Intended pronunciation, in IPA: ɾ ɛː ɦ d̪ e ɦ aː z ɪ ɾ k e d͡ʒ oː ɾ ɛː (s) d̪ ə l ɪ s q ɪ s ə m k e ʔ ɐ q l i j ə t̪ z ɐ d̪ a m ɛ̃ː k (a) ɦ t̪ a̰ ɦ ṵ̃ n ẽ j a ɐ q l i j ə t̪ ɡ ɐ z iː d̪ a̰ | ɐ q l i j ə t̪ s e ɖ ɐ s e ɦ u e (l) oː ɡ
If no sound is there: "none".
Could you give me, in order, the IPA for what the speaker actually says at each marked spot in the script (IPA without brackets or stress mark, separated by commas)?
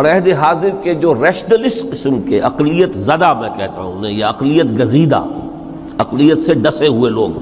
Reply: ʃ, ɛ, l